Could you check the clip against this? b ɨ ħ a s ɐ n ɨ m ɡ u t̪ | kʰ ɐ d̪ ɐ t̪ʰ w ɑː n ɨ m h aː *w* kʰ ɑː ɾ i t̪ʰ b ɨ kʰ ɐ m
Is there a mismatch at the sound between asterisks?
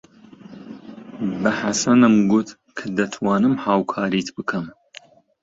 no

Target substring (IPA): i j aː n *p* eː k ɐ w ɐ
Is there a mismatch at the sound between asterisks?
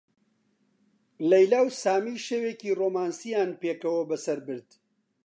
no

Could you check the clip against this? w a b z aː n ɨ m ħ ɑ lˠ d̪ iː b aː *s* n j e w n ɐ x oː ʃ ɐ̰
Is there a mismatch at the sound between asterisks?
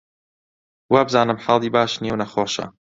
yes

